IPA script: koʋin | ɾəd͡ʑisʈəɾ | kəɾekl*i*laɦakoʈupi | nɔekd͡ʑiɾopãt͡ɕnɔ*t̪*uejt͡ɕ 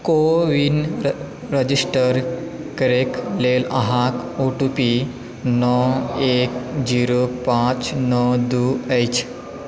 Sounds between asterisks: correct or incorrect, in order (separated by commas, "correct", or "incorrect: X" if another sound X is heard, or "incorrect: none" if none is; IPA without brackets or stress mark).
incorrect: e, incorrect: d̪